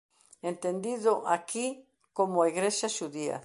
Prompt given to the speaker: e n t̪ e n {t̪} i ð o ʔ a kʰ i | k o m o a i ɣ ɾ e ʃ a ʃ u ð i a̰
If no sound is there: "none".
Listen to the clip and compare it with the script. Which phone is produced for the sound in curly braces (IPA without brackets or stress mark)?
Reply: d̪